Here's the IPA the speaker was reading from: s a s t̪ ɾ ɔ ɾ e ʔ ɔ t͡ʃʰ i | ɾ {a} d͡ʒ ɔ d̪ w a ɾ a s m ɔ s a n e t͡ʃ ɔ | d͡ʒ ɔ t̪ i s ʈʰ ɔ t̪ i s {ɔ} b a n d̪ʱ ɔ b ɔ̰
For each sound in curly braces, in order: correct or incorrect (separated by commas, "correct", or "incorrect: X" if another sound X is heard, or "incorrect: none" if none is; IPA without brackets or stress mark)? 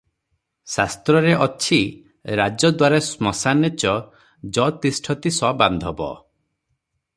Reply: correct, correct